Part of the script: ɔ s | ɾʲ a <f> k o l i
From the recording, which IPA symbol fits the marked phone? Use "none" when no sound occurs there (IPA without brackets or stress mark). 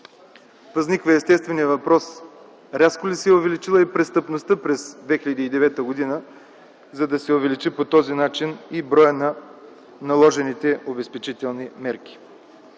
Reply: s